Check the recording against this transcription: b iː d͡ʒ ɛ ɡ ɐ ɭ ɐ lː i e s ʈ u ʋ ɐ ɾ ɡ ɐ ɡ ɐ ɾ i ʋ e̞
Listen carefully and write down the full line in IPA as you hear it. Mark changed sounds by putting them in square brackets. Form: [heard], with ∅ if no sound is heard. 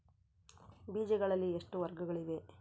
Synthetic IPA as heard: b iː d͡ʒ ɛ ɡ ɐ ɭ ɐ lː i e [ʂ] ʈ u ʋ ɐ ɾ ɡ ɐ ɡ ɐ [ɭ] i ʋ e̞